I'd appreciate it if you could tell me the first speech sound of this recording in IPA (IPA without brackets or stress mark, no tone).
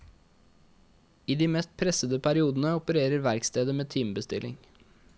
iː